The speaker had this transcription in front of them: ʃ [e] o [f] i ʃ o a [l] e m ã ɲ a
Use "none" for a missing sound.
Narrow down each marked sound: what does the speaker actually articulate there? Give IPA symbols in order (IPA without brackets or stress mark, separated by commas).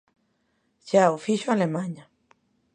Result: a, f, l